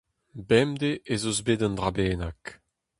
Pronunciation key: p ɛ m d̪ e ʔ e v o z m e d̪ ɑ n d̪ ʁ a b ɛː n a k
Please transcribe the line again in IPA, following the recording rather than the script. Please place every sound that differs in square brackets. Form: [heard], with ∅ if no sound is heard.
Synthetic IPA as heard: [b] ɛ m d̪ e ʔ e [z] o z [b] e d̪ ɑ n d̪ ʁ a b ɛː n a k